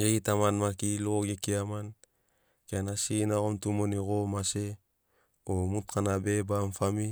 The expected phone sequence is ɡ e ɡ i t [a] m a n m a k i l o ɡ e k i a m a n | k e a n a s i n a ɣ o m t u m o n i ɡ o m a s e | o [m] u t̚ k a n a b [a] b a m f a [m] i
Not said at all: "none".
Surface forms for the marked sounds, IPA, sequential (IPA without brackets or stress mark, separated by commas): a, m, e, m